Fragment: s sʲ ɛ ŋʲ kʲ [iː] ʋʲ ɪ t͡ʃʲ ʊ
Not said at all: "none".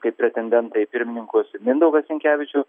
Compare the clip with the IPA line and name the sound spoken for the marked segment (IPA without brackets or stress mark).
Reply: æː